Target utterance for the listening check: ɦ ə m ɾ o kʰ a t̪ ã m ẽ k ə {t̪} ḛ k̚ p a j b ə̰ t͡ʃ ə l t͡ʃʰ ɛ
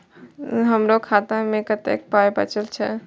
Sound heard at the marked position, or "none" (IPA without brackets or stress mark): t̪